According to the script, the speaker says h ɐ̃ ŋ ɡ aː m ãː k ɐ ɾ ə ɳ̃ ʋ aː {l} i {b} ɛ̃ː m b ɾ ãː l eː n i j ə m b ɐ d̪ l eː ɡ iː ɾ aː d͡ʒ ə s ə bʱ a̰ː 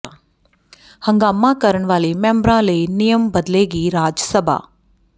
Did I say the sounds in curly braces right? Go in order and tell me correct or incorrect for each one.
correct, incorrect

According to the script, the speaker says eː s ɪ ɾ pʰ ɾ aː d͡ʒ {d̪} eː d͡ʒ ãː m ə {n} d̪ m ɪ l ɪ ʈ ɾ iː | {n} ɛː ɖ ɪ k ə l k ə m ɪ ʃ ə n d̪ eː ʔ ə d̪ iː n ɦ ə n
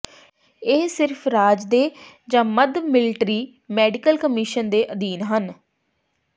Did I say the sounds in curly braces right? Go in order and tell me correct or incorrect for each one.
correct, incorrect, incorrect

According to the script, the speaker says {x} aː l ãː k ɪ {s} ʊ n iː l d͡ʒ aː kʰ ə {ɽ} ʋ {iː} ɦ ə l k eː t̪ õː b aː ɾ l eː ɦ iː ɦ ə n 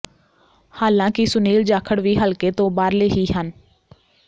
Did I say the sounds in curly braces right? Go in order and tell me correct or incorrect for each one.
incorrect, correct, correct, correct

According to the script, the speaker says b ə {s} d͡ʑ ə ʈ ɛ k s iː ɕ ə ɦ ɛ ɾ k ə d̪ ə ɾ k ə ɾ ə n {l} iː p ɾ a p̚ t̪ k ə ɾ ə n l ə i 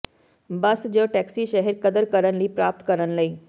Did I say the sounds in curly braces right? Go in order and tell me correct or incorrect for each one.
correct, correct

